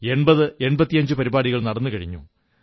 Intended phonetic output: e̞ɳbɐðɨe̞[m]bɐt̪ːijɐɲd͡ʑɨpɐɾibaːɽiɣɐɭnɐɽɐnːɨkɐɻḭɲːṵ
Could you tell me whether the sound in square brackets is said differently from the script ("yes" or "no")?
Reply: yes